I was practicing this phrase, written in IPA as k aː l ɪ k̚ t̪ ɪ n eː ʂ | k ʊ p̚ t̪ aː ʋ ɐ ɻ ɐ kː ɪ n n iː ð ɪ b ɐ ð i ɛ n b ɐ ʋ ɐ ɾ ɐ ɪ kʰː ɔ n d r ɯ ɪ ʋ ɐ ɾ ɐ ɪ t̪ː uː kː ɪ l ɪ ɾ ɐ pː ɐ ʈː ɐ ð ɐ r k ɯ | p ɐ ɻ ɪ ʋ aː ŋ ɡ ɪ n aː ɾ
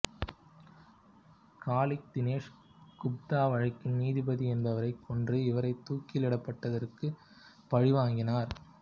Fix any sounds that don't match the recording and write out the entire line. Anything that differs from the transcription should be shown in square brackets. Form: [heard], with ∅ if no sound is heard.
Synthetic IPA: k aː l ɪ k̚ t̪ ɪ n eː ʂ | k ʊ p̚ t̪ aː ʋ ɐ ɻ ɐ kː ɪ n n iː ð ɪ b ɐ ð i ɛ n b ɐ ʋ ɐ ɾ ɐ ɪ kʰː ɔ n d r ɯ ɪ ʋ ɐ ɾ ɐ ɪ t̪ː uː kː ɪ l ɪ [ɽ] ɐ pː ɐ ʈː ɐ ð ɐ r k ɯ | p ɐ ɻ ɪ ʋ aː ŋ ɡ ɪ n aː ɾ